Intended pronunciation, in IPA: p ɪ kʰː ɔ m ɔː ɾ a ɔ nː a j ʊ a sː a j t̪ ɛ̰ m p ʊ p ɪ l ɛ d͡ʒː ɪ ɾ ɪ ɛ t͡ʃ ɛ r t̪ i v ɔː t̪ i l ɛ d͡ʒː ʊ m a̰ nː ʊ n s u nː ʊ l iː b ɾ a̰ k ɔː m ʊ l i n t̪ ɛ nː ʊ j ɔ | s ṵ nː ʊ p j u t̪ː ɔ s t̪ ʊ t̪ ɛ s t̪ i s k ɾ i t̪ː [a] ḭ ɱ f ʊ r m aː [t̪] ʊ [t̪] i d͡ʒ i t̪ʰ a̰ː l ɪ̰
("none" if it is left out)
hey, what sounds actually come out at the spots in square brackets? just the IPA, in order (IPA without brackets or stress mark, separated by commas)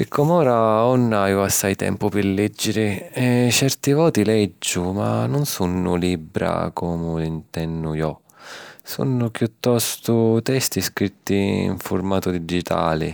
i, t̪, d̪